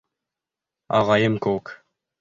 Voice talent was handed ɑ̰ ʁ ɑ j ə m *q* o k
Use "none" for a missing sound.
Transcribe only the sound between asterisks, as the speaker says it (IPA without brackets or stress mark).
k